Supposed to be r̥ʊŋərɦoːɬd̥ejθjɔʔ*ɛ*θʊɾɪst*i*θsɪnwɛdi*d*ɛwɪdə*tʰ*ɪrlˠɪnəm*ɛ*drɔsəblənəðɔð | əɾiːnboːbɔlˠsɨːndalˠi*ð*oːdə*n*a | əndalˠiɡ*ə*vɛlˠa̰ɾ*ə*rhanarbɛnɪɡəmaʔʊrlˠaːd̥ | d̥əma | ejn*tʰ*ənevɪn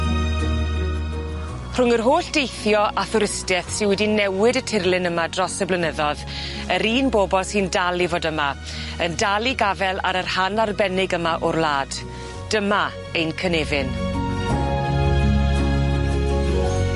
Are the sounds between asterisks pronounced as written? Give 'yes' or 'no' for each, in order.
no, no, no, yes, no, no, no, no, yes, no

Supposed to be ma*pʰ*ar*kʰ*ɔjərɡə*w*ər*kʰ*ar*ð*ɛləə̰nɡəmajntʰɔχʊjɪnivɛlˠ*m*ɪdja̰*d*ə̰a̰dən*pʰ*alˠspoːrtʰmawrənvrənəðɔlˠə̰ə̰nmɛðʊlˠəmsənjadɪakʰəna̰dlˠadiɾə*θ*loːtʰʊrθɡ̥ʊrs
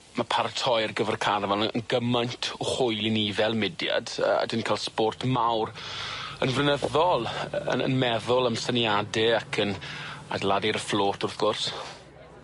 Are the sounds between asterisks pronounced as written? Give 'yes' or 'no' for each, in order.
yes, no, no, yes, no, yes, yes, no, no

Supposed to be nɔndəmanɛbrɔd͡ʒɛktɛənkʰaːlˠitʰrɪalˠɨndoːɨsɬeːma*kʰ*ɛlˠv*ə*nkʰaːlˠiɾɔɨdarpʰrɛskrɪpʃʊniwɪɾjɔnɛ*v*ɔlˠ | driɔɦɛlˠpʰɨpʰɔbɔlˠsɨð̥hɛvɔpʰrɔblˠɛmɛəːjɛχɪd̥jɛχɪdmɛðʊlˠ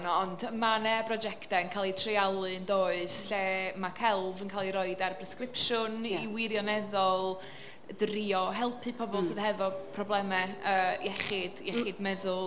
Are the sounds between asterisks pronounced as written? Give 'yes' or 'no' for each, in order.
yes, yes, no

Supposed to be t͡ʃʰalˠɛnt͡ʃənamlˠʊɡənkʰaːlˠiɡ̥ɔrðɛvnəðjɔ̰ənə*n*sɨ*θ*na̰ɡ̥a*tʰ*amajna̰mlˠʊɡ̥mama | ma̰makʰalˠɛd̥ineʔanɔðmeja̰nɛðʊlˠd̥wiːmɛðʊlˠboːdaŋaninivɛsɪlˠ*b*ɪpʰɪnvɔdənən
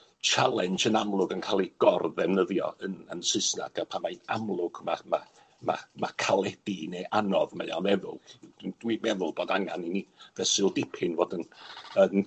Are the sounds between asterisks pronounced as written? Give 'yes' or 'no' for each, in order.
yes, no, no, no

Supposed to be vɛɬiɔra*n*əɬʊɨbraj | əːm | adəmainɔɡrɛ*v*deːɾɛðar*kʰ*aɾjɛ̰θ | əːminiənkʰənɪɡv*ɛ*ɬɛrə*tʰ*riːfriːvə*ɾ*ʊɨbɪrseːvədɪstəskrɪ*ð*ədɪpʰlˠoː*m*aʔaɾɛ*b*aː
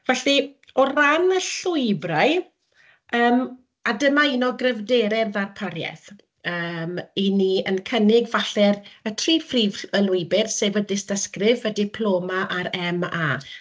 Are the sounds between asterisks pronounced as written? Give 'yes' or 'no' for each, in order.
yes, yes, no, no, yes, no, no, yes, no

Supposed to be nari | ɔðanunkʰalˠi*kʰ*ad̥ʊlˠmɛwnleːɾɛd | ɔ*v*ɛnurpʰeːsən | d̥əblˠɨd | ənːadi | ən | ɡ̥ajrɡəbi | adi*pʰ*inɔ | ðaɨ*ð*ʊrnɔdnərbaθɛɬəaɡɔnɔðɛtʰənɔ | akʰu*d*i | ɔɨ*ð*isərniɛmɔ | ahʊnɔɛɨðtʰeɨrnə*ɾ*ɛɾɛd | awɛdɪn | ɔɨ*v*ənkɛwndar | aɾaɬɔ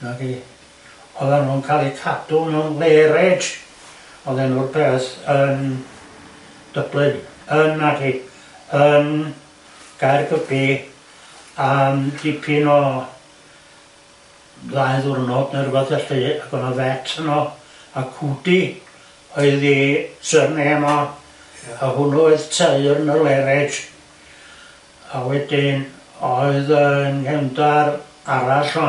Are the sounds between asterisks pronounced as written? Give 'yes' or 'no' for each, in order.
yes, no, yes, yes, yes, yes, no, no

